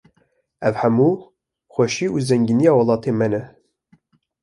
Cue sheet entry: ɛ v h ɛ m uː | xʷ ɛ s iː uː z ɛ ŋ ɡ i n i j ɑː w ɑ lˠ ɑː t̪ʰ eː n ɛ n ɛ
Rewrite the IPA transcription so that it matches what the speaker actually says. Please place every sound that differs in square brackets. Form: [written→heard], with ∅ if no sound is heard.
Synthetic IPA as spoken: ɛ v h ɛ m uː | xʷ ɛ [s→ʃ] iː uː z ɛ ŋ ɡ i n i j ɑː w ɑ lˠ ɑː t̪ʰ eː [n→m] ɛ n ɛ